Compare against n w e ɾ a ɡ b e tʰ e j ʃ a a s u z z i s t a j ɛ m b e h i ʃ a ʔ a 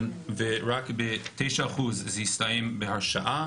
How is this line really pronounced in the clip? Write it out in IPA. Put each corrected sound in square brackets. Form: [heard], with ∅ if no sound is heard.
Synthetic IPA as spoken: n [v] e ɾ a [k] b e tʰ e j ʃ a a [χ] u z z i s t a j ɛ m b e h [a] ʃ a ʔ a